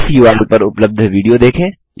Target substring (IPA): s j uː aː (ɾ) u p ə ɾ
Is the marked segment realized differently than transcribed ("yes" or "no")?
yes